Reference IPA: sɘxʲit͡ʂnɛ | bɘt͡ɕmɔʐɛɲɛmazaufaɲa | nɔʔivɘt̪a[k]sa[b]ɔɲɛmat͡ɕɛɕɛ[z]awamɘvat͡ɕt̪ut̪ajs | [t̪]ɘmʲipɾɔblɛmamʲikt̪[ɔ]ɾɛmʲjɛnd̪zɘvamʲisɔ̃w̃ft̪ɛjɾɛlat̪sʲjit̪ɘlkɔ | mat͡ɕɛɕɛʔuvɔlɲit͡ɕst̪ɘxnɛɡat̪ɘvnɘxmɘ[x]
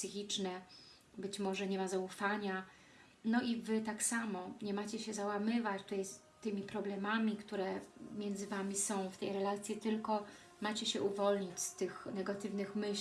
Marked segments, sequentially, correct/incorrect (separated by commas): correct, incorrect, correct, correct, incorrect, incorrect